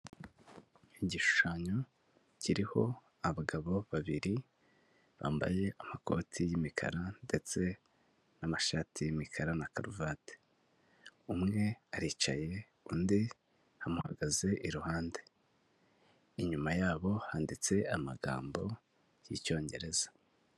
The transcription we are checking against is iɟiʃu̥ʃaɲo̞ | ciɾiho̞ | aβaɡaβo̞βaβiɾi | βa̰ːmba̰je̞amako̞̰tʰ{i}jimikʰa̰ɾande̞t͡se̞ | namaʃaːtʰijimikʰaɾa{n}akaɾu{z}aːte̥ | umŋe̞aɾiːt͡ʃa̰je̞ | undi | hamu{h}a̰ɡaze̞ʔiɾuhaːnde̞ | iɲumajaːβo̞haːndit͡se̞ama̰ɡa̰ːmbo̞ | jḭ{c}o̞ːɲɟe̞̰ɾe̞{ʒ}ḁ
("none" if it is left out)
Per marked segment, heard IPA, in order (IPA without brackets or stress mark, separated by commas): i, n, v, h, c, z